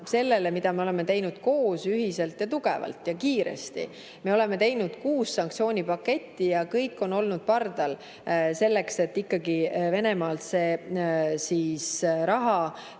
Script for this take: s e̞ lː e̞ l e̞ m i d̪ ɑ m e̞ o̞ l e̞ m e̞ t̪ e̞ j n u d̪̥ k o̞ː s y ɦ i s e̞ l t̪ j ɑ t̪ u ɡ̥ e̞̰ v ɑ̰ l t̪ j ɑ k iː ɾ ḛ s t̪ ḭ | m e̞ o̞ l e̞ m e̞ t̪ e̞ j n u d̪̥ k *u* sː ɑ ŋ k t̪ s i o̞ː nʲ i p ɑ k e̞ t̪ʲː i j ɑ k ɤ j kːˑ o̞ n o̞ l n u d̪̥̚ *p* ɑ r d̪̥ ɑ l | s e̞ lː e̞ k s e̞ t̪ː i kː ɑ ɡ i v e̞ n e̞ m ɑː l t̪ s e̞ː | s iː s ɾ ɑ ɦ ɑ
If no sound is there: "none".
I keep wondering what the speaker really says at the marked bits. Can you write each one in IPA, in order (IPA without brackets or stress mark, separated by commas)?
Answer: uː, p